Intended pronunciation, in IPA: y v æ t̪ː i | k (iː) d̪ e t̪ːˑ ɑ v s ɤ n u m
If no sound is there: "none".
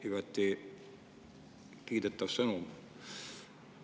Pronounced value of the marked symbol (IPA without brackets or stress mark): iː